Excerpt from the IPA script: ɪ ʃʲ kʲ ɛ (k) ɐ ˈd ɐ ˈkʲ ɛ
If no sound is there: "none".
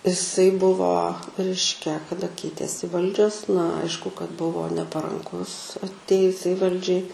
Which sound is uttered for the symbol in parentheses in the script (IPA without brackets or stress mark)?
k